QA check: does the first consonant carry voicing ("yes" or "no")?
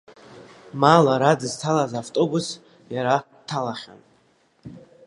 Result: yes